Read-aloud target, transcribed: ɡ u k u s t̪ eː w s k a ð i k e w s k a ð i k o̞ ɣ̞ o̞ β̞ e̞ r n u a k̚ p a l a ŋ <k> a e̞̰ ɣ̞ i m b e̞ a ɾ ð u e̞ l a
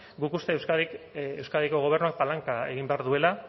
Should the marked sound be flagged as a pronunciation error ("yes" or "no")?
no